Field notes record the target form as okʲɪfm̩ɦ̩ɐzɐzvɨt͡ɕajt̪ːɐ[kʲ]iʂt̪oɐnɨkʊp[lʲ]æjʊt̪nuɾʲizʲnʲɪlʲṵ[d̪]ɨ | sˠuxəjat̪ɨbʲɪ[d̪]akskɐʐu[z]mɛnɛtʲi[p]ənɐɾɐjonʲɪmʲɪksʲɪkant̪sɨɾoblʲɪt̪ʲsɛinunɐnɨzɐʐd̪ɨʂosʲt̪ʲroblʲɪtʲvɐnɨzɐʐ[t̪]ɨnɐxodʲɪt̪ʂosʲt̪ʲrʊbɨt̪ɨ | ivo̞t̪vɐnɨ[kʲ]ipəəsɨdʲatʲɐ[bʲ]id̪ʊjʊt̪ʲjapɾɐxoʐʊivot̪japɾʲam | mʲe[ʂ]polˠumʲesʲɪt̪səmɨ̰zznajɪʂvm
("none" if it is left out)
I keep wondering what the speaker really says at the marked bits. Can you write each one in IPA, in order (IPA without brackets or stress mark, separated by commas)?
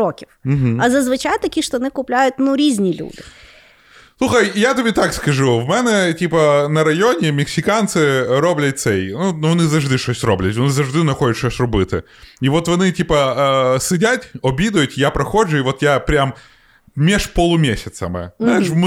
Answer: kʲ, lʲ, d̪, t̪, v, p, d̪, tʲ, bʲ, ʂ